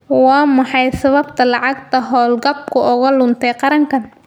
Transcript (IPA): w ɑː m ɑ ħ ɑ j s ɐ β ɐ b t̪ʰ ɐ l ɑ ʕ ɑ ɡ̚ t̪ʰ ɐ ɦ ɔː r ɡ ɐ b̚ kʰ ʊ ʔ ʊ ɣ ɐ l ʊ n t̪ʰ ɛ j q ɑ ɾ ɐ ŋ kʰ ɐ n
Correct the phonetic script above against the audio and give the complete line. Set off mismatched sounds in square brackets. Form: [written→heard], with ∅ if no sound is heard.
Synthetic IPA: w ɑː m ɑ ħ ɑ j s ɐ β ɐ b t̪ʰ ɐ l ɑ ʕ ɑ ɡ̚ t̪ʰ ɐ ɦ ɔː [r→l] ɡ ɐ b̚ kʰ ʊ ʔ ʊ ɣ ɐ l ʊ n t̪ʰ ɛ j q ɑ ɾ ɐ ŋ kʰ ɐ n